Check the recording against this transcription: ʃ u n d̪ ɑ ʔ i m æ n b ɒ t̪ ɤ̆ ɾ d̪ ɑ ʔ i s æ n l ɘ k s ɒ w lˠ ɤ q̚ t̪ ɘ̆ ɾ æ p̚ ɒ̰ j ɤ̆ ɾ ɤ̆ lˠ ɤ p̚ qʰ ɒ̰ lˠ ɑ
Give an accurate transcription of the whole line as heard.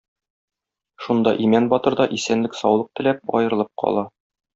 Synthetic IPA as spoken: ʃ u n d̪ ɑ ʔ i m æ n b ɒ t̪ ɤ̆ ɾ d̪ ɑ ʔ i s æ n l ɘ k s ɒ w lˠ ɤ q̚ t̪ ɘ̆ l æ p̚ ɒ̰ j ɤ̆ ɾ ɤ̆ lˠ ɤ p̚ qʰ ɒ̰ lˠ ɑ